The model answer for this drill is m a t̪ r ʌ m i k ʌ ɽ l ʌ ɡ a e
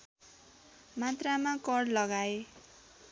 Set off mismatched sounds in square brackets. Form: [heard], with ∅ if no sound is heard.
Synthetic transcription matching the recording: m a t̪ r [a] m [a] k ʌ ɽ l ʌ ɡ a e